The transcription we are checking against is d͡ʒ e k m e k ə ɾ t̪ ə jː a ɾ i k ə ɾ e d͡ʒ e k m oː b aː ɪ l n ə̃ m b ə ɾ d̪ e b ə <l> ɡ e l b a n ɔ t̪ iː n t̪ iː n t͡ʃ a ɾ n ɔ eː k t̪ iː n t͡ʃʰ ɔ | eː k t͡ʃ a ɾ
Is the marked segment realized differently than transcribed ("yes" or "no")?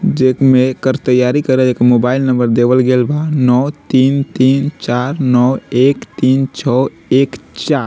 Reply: no